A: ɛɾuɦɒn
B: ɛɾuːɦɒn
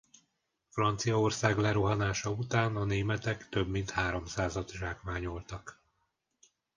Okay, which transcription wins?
A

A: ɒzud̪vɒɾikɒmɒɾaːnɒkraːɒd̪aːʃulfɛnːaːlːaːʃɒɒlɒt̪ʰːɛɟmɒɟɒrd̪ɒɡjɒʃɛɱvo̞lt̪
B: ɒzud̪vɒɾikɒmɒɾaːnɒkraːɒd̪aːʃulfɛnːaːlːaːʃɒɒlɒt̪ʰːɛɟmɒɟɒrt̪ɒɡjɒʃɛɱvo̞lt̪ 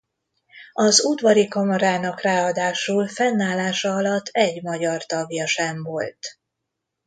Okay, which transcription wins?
B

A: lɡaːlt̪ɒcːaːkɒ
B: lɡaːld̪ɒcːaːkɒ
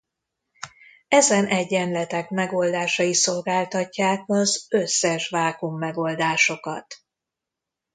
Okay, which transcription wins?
A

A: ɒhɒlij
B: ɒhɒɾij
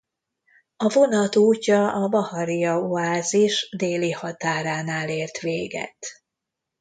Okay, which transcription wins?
B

